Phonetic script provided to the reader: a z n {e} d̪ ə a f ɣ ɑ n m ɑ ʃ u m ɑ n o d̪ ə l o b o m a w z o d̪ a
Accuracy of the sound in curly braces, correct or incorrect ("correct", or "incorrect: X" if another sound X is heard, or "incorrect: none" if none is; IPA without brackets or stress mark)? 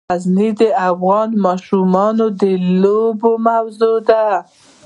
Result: incorrect: i